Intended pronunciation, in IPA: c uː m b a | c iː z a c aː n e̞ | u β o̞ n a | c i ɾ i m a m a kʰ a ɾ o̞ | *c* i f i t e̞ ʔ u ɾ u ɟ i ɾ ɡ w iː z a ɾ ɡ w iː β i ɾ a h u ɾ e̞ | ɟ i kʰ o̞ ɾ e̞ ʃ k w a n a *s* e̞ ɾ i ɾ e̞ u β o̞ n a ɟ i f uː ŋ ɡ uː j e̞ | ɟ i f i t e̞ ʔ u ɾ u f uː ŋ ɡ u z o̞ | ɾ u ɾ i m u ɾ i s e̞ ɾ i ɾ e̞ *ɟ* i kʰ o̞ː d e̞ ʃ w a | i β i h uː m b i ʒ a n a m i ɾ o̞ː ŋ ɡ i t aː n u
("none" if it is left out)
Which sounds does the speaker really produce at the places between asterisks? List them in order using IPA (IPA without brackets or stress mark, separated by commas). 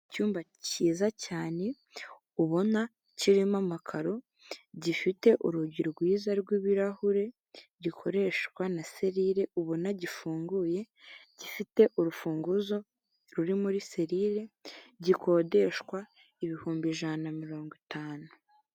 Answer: ɟ, s, ɟ